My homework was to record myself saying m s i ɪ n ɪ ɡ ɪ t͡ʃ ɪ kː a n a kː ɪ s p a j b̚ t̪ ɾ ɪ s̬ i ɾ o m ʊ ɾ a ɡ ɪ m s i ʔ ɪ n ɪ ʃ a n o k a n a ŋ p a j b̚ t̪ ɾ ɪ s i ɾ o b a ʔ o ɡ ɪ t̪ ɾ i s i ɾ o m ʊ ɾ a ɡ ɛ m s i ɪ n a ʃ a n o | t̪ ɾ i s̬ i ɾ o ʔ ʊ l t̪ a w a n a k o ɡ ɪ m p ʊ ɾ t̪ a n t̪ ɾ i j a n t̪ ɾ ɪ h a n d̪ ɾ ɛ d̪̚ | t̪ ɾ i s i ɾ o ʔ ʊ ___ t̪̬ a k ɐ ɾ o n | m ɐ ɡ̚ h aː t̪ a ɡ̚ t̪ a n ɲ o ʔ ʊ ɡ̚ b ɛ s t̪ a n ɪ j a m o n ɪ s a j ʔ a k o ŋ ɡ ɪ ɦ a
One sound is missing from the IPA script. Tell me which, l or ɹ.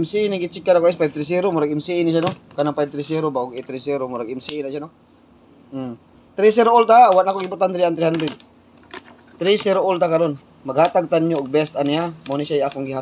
l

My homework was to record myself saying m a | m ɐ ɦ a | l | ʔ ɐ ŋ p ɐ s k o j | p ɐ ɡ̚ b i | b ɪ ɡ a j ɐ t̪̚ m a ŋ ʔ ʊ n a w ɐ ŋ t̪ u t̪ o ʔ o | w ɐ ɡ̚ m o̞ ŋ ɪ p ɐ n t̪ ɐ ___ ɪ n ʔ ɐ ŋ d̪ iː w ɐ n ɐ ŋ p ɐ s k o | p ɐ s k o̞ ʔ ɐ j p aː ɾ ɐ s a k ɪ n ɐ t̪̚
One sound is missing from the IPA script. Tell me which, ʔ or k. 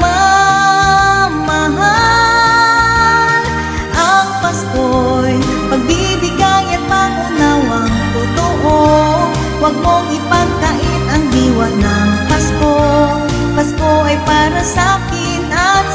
ʔ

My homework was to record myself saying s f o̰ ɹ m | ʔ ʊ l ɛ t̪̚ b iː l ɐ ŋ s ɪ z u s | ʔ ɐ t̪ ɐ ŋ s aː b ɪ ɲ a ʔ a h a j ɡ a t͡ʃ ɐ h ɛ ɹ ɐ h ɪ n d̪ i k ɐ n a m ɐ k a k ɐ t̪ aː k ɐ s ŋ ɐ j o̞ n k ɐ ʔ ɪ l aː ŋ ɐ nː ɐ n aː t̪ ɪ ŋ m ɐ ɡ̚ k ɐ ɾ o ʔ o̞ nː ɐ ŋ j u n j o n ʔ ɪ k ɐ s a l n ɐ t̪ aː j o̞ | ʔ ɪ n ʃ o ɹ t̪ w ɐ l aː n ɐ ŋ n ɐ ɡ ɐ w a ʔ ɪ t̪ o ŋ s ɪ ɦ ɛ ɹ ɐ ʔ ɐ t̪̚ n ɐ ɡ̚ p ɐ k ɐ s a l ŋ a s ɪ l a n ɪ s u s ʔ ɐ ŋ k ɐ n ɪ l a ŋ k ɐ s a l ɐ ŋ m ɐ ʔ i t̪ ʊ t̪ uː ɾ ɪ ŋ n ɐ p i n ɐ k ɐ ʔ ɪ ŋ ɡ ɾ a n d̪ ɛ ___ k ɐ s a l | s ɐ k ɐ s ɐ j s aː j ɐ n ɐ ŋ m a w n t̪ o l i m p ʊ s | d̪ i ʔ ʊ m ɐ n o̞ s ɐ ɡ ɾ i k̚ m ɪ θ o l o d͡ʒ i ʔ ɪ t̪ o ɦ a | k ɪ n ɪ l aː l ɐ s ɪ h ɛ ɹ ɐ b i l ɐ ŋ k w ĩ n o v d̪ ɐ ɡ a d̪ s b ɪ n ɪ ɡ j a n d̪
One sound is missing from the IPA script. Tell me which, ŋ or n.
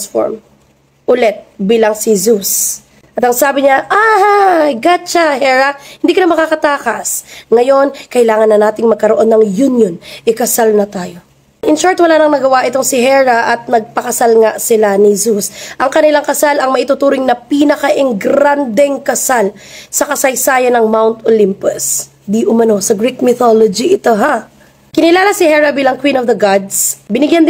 ŋ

